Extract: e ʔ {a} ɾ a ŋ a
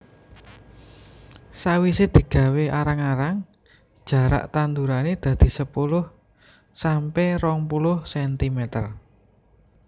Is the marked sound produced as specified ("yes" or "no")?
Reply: yes